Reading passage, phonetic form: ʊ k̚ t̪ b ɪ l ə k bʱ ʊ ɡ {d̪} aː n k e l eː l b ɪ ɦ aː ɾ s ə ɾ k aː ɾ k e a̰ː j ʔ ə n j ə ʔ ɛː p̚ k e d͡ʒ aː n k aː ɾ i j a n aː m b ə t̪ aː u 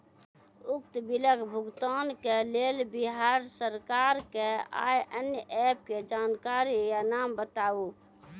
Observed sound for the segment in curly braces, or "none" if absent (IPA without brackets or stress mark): t̪